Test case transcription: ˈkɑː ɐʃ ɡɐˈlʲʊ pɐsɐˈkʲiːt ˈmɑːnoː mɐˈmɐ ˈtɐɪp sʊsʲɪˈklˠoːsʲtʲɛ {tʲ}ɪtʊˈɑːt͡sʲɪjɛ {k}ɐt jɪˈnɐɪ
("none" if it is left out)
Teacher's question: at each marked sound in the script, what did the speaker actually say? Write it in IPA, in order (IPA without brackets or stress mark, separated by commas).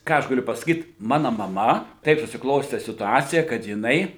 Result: sʲ, k